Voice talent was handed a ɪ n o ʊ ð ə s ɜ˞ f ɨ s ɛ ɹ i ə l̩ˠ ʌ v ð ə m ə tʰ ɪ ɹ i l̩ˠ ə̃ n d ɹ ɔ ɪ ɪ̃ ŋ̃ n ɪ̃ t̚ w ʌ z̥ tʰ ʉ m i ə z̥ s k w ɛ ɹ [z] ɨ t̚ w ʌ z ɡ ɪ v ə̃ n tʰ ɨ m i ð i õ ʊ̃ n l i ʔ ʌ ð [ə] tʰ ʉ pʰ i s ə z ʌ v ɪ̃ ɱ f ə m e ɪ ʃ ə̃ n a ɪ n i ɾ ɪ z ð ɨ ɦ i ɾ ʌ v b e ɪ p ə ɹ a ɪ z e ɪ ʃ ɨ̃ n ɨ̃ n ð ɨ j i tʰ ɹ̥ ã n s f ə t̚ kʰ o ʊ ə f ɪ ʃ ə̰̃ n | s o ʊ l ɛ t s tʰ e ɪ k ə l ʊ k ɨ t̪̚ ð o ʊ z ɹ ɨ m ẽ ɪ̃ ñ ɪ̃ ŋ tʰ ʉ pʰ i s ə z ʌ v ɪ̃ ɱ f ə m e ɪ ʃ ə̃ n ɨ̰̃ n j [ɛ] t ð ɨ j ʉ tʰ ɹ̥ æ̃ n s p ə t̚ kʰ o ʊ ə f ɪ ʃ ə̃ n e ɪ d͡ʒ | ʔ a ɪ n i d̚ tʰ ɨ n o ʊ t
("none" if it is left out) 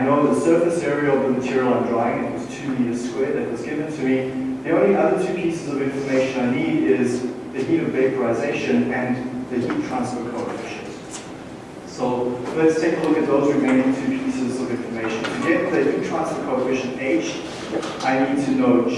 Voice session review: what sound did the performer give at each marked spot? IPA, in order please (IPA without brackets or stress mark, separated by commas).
ð, ə, ɛ